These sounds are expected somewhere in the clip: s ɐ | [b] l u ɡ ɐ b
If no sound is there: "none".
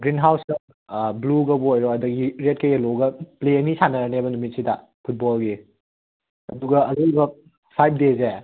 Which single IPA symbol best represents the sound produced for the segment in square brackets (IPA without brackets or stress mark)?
b